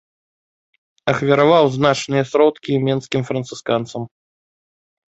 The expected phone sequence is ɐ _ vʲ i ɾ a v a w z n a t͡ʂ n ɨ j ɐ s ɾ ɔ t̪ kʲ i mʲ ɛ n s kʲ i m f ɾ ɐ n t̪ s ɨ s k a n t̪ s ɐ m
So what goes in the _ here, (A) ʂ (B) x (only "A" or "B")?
B